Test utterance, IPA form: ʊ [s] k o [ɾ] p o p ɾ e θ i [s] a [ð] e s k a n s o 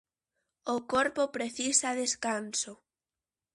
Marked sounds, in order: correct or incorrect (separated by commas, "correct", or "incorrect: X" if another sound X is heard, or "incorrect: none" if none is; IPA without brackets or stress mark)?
incorrect: none, correct, correct, correct